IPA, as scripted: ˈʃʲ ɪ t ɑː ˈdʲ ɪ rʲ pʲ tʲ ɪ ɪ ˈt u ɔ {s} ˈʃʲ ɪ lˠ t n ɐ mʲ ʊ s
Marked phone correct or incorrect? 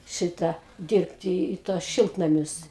correct